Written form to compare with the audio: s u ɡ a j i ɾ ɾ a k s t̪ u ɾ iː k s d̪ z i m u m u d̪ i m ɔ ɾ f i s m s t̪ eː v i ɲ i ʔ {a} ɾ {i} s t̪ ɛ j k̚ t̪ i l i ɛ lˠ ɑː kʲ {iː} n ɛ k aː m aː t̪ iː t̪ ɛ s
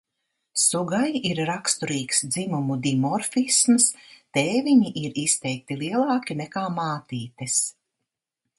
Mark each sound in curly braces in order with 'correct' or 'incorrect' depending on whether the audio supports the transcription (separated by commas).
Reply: incorrect, correct, incorrect